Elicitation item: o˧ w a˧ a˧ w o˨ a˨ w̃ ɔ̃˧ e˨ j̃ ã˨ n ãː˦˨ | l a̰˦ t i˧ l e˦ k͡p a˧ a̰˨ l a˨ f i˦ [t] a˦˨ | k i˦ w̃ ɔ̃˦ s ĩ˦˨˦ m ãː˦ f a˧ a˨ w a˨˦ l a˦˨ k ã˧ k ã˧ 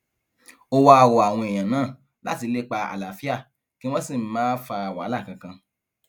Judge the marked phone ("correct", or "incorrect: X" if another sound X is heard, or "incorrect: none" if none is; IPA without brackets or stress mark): incorrect: none